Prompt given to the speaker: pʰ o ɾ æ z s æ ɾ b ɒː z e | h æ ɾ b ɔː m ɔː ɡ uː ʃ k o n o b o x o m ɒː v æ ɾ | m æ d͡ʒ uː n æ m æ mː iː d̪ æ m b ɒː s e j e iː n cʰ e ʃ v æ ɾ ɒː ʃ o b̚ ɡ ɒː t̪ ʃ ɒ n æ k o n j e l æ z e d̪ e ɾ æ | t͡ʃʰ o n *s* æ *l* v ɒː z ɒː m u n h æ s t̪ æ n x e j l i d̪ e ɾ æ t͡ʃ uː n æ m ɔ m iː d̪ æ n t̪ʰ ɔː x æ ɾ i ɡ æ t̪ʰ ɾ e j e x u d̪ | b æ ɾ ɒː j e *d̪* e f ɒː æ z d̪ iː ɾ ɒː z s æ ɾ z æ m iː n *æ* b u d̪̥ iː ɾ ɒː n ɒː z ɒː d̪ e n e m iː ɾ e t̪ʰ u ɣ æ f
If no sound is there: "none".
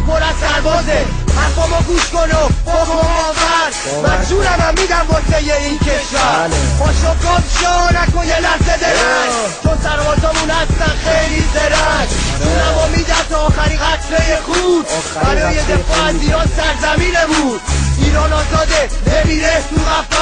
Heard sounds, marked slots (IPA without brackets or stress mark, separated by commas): s, ɾ, d̪, e